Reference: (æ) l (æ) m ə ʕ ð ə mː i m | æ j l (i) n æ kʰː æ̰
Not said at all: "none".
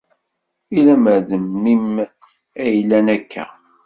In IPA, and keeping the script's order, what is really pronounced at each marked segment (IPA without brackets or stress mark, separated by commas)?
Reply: i, æ, æ